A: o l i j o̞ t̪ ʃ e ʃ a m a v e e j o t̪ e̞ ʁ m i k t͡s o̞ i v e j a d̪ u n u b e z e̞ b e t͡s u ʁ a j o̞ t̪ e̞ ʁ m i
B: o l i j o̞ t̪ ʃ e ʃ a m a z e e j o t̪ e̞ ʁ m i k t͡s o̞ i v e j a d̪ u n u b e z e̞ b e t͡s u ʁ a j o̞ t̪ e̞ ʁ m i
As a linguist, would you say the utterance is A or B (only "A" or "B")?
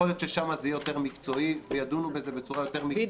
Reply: B